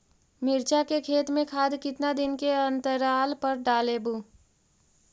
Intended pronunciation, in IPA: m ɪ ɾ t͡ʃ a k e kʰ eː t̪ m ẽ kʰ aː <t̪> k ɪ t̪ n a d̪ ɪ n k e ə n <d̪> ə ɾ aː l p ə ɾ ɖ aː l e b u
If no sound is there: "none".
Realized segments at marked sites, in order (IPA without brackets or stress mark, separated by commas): d̪, t̪